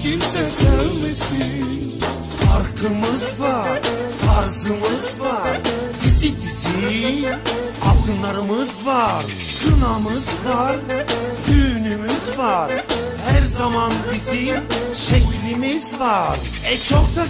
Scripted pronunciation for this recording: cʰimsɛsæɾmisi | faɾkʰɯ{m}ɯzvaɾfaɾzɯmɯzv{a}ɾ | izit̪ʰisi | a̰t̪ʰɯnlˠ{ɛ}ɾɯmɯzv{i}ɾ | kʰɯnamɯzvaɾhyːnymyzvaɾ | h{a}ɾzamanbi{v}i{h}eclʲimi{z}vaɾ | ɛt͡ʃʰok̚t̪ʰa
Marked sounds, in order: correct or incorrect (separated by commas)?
correct, correct, incorrect, incorrect, incorrect, incorrect, incorrect, correct